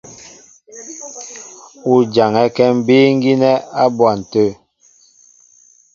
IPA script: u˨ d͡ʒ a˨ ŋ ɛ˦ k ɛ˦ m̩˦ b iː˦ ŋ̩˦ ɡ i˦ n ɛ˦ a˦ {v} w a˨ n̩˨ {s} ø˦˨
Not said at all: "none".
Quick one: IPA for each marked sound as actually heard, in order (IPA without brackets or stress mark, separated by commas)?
b, t